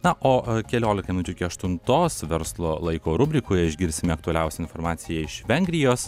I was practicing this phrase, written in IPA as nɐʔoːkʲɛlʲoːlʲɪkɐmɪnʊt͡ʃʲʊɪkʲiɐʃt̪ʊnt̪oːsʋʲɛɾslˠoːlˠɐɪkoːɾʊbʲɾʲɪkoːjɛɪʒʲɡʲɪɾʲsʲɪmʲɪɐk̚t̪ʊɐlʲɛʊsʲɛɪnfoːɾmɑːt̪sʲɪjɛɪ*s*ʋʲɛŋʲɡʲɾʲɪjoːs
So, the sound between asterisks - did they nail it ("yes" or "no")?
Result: no